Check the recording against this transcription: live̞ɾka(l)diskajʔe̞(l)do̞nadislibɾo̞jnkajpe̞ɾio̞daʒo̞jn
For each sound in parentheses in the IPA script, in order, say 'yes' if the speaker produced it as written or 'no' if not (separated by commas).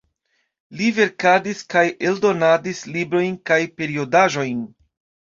no, yes